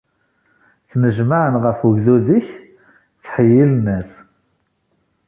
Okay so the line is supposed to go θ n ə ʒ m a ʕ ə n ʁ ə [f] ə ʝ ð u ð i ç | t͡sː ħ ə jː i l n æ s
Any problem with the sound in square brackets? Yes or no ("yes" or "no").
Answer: no